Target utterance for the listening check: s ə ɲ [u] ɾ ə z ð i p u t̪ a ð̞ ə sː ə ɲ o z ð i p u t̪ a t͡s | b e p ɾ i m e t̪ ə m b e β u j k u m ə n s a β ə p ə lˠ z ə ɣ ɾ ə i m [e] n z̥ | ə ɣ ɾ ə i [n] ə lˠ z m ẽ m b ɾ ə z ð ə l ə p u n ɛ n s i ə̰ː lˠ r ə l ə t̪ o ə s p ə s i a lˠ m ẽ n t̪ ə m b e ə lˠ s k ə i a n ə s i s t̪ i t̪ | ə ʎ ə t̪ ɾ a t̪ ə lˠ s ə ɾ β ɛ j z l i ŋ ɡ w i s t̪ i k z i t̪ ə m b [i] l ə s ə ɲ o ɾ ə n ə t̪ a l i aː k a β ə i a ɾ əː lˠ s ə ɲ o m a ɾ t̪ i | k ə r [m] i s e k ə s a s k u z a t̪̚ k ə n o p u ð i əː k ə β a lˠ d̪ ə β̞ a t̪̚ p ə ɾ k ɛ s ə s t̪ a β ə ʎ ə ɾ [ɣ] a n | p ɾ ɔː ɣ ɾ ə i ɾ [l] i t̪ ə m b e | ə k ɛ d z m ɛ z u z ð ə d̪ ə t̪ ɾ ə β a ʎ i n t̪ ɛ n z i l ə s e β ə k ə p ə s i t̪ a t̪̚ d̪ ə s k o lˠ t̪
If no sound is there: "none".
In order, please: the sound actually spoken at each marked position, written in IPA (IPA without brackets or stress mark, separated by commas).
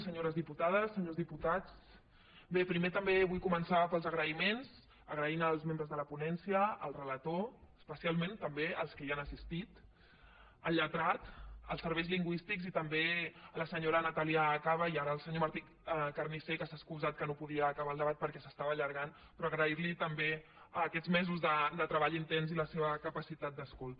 o, e, n, e, n, ɣ, l